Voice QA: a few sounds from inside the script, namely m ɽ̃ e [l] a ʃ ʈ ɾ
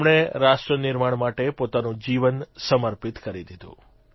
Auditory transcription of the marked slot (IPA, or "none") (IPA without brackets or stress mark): ɾ